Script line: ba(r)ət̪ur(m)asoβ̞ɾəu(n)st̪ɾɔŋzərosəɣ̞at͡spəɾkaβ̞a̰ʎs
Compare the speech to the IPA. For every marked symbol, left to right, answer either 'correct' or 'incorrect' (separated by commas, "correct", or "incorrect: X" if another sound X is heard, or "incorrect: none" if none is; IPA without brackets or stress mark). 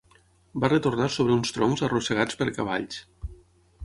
correct, incorrect: n, correct